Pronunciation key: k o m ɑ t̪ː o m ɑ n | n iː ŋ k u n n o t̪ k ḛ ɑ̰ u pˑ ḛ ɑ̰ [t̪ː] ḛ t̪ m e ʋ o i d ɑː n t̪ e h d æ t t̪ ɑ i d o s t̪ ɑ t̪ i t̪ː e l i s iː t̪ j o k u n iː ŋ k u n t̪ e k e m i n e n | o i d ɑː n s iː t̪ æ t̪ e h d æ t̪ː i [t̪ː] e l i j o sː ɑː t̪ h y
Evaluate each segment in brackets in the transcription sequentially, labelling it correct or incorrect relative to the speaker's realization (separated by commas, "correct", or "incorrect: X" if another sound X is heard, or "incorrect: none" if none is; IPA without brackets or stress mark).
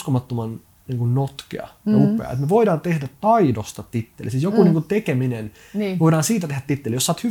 incorrect: none, correct